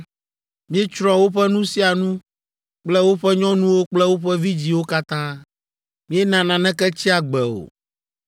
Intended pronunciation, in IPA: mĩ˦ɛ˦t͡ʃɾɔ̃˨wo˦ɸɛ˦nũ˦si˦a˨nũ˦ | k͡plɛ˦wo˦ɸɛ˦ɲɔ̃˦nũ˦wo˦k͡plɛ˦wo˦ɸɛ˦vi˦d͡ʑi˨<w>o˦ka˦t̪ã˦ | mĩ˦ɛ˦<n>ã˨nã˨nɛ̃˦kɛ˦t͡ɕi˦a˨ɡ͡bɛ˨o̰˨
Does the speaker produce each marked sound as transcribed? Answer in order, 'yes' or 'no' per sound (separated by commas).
yes, yes